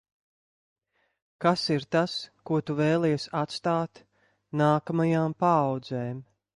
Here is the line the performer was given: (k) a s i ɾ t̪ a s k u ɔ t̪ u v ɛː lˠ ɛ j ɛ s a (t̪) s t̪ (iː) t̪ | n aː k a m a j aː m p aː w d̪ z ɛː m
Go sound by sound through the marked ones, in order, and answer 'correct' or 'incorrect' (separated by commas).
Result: correct, correct, incorrect